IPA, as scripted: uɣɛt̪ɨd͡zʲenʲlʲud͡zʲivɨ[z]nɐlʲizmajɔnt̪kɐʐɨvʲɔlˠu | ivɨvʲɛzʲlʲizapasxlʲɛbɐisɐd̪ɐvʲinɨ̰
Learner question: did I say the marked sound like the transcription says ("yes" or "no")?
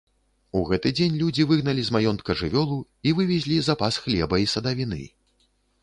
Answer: no